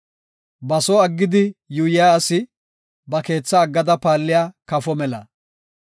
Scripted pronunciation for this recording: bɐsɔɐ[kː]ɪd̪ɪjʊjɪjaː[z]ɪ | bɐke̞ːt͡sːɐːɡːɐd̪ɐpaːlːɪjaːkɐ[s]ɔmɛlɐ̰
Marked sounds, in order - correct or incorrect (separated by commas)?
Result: incorrect, incorrect, incorrect